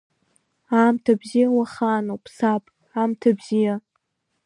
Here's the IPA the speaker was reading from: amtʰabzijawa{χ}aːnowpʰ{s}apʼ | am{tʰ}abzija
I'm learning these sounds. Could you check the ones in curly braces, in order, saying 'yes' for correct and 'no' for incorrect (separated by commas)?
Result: yes, yes, yes